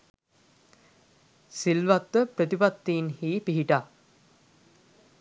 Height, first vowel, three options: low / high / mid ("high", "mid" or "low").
high